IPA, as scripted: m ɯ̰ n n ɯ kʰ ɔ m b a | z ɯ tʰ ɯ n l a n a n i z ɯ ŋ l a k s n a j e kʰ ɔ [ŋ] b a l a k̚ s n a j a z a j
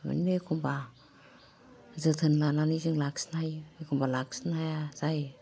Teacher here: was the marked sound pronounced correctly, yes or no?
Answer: no